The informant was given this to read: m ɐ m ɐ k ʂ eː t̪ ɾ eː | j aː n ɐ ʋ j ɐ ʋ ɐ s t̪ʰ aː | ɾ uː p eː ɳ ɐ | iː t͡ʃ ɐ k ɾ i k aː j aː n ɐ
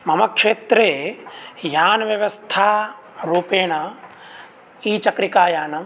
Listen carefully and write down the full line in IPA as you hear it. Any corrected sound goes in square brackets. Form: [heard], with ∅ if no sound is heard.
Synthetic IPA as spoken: m ɐ m ɐ k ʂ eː t̪ ɾ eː | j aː n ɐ ʋ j ɐ ʋ ɐ s t̪ʰ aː | ɾ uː p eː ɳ ɐ | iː t͡ʃ ɐ k ɾ i k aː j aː n ɐ